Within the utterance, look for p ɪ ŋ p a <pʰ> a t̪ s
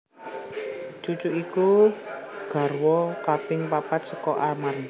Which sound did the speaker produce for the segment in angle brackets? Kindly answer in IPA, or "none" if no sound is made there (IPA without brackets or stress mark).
p